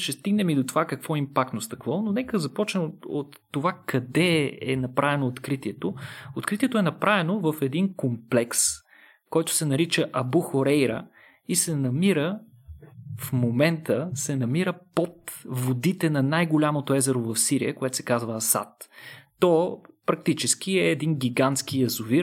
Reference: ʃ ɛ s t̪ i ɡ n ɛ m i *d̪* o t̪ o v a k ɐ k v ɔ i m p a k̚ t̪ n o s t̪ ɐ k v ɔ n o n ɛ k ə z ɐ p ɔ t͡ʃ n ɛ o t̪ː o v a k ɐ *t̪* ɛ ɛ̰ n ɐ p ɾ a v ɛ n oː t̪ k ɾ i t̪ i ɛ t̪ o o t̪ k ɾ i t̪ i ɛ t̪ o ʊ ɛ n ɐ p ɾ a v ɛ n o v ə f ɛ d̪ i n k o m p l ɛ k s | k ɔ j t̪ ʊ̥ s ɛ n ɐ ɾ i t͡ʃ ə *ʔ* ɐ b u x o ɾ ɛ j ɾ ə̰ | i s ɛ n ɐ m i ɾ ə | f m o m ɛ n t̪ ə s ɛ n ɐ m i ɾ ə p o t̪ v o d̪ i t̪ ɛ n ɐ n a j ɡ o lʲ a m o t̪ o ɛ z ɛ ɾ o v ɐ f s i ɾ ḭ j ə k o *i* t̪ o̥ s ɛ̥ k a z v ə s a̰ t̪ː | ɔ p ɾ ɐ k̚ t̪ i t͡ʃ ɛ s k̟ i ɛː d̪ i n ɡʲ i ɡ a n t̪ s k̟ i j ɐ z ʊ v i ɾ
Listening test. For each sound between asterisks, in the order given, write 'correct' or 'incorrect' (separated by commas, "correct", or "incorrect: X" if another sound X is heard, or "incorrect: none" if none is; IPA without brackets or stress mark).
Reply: correct, incorrect: d̪, correct, incorrect: ɛ